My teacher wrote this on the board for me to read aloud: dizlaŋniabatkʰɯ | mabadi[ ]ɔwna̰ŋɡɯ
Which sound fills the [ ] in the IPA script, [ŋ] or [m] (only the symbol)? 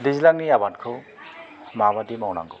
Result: m